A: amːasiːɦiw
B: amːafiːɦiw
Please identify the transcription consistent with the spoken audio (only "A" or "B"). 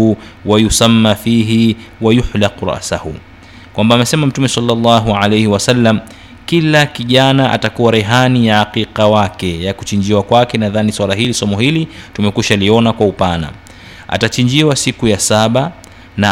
B